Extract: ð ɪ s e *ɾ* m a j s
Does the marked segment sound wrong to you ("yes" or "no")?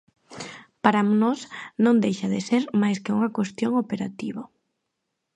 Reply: no